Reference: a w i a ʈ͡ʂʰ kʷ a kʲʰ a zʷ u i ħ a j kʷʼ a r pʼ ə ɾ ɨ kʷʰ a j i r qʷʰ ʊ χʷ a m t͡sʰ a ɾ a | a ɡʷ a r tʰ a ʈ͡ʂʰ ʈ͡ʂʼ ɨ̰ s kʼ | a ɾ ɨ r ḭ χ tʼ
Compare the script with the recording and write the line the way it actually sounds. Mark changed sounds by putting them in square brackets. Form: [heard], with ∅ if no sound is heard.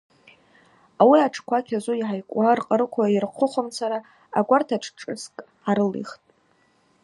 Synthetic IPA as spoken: a w i a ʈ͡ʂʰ kʷ a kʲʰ a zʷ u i ħ a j kʷʼ a r [qʼ] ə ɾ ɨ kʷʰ a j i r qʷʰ ʊ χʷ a m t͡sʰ a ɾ a | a ɡʷ a r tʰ a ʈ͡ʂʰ ʈ͡ʂʼ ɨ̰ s kʼ | a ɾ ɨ [l] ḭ χ tʼ